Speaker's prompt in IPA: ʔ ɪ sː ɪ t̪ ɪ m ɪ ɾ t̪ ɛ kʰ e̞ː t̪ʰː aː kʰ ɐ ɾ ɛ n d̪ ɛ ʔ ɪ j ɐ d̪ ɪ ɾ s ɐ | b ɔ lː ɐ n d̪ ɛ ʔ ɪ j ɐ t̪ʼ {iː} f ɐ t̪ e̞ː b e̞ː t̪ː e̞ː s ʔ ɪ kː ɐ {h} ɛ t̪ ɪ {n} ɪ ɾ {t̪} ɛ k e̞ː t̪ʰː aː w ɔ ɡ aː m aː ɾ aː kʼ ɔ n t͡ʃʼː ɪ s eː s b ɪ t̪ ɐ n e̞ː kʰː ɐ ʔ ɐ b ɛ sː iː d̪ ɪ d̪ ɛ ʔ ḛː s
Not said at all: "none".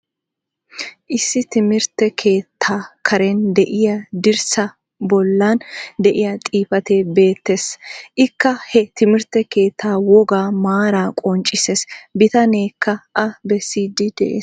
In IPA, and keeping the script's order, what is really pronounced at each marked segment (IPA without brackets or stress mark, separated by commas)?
iː, h, m, t̪